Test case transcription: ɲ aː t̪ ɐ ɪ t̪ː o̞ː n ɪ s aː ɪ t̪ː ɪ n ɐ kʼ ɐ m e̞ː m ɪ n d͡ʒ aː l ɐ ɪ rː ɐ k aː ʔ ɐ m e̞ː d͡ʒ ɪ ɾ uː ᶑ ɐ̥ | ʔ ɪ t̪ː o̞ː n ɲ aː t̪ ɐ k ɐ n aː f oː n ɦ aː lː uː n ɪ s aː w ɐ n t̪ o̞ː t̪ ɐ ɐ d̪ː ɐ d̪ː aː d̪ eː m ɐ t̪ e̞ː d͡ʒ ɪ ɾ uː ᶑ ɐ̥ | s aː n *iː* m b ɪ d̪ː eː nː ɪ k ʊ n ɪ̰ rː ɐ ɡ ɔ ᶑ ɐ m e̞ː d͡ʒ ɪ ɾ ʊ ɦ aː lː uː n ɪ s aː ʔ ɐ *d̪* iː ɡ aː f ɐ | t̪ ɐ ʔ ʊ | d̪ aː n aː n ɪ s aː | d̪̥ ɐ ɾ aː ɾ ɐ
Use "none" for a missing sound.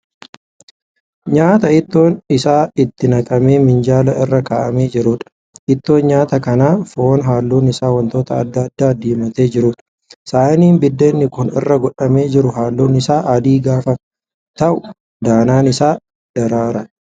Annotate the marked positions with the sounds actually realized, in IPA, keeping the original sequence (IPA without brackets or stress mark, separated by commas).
iː, d̪